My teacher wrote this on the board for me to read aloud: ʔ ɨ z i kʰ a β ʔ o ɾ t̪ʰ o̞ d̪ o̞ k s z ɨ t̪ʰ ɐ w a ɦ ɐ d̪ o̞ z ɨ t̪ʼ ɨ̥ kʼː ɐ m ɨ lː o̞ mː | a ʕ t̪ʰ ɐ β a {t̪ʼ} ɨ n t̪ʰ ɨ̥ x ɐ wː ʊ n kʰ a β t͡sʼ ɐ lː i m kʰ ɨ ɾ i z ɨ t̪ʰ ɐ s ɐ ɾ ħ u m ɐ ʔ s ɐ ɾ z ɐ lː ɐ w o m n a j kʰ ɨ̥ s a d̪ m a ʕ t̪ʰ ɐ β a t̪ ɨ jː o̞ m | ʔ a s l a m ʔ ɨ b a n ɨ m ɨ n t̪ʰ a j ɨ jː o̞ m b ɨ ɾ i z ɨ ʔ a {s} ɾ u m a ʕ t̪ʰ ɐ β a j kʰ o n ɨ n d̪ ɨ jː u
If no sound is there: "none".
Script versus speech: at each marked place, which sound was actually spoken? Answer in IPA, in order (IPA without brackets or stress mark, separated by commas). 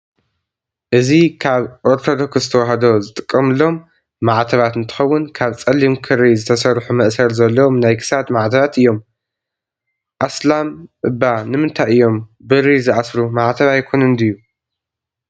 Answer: t̪, s